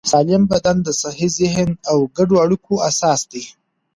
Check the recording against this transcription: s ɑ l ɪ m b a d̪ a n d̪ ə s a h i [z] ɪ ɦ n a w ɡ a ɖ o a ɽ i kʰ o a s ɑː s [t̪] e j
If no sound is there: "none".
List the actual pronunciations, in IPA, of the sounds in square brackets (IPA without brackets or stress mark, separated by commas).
z, d̪